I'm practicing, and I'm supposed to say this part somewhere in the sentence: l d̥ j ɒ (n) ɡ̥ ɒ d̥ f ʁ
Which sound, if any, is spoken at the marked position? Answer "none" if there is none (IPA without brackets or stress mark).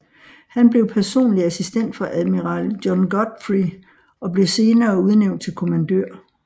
n